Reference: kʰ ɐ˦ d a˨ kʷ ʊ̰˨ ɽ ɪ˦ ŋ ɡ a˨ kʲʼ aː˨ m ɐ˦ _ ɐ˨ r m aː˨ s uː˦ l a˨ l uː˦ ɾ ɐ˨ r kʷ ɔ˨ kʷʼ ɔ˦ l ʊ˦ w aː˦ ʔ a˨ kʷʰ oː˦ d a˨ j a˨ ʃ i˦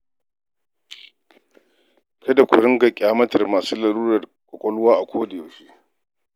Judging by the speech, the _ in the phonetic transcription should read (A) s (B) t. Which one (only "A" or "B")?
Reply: B